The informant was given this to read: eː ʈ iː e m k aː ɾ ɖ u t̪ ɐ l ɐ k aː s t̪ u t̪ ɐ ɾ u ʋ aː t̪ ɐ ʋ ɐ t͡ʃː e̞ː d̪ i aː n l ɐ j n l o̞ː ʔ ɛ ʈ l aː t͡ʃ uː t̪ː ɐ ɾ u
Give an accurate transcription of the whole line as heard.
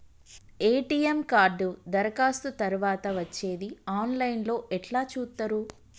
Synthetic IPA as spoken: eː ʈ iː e m k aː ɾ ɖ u d̪ ɐ ɾ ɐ k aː s t̪ u t̪ ɐ ɾ u ʋ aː t̪ ɐ ʋ ɐ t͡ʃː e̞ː d̪ i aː n l ɐ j n l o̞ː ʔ ɛ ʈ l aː t͡ʃ uː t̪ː ɐ ɾ u